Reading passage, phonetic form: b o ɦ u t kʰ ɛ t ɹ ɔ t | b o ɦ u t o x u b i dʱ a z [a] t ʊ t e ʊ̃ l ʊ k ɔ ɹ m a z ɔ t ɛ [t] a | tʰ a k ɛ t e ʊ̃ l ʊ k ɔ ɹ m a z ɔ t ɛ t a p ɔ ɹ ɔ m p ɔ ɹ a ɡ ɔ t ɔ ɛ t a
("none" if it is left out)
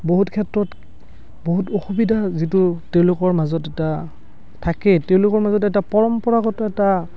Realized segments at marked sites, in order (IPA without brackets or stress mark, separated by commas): i, t